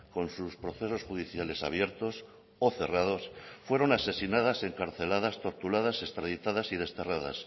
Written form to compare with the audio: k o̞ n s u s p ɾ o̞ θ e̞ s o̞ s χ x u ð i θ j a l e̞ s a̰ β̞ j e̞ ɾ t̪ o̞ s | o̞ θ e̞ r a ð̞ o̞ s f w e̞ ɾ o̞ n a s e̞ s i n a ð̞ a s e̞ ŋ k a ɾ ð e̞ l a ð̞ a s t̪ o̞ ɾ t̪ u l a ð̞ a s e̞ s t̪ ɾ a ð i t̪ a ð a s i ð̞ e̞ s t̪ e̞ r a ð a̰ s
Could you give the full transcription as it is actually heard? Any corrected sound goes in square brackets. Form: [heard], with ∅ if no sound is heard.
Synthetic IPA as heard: k o̞ n s u s p ɾ o̞ θ e̞ s o̞ s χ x u ð i θ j a l e̞ s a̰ β̞ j e̞ ɾ t̪ o̞ s | o̞ θ e̞ r a ð̞ o̞ s f w e̞ ɾ o̞ n a s e̞ s i n a ð̞ a s e̞ ŋ k a ɾ [θ] e̞ l a ð̞ a s t̪ o̞ ɾ t̪ u l a ð̞ a s e̞ s t̪ ɾ a ð i t̪ a ð a s i ð̞ e̞ s t̪ e̞ r a ð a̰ s